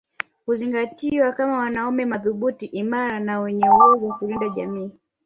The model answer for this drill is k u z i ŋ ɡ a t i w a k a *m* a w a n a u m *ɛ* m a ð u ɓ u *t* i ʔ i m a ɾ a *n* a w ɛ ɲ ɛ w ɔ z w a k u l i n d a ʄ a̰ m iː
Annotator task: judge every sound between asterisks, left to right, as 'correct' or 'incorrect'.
correct, correct, correct, correct

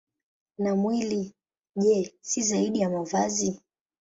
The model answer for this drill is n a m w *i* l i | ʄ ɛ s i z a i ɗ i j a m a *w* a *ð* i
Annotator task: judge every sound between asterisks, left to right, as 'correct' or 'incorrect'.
correct, incorrect: v, incorrect: z

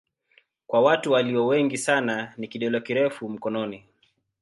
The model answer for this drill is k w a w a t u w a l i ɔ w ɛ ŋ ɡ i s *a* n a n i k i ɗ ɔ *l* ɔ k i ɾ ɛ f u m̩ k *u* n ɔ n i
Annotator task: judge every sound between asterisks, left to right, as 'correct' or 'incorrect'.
correct, correct, incorrect: ɔ

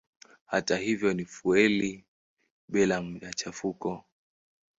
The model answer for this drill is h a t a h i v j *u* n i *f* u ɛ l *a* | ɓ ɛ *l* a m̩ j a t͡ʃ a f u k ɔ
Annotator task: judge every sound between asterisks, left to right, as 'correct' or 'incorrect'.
incorrect: ɔ, correct, incorrect: i, correct

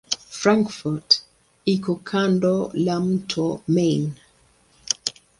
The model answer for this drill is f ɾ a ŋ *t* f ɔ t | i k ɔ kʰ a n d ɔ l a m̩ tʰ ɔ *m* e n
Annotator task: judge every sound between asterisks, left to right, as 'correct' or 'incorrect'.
incorrect: k, correct

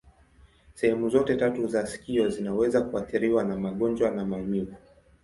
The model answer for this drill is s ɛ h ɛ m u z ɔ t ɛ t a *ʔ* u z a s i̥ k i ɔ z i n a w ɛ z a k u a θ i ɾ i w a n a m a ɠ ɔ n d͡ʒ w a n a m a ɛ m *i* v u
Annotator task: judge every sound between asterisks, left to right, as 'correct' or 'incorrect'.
incorrect: t, correct

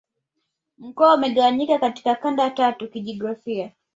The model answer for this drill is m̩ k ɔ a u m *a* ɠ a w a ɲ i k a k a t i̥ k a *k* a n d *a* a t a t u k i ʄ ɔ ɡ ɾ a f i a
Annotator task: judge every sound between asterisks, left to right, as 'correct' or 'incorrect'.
incorrect: ɛ, correct, correct

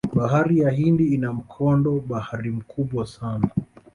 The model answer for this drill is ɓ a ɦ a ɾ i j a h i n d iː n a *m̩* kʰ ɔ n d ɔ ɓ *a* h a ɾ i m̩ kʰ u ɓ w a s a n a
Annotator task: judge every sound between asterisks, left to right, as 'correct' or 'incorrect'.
correct, correct

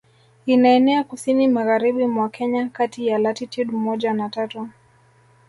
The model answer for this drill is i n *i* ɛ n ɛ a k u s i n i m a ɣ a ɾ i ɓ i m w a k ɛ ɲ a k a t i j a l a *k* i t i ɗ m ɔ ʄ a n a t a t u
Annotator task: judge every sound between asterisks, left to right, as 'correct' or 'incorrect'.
incorrect: a, incorrect: t

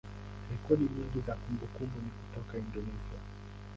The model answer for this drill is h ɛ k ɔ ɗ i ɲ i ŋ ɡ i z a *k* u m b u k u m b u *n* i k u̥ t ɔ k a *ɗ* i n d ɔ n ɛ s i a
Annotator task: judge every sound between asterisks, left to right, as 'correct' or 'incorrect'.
correct, correct, incorrect: none

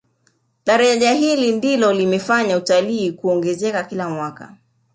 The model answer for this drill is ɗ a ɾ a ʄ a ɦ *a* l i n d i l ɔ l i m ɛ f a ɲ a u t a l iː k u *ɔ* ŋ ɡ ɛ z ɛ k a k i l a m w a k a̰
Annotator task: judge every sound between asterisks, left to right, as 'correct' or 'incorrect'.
incorrect: i, correct

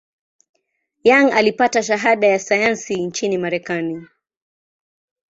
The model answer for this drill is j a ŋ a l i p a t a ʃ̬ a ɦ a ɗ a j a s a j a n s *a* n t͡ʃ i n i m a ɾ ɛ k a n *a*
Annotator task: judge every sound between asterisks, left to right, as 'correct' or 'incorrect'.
incorrect: i, incorrect: i

